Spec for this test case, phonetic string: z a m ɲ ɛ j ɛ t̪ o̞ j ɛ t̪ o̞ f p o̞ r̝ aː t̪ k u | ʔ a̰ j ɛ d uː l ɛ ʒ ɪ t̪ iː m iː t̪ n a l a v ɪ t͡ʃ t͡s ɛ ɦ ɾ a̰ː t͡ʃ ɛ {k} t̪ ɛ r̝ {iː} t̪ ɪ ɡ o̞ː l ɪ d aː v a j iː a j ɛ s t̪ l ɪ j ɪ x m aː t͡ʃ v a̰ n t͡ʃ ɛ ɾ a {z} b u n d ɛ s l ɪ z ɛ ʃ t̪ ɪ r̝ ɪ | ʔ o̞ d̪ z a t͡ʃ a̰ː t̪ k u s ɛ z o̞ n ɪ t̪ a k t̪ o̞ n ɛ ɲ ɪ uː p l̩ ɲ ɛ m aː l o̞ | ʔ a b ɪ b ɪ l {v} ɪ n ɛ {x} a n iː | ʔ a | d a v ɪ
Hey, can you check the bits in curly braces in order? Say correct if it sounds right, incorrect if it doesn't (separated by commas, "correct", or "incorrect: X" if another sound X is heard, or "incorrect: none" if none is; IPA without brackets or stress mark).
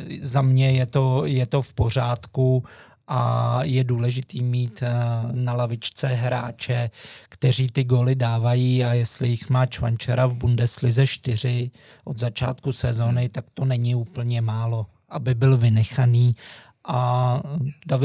correct, correct, incorrect: v, correct, correct